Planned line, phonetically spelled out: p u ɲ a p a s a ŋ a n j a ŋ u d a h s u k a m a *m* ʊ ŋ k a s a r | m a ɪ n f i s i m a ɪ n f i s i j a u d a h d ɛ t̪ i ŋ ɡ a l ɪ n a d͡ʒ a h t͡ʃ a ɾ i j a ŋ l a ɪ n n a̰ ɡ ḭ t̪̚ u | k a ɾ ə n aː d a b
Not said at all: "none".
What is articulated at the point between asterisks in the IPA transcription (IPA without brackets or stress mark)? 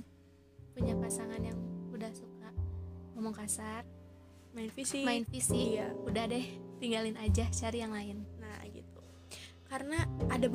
m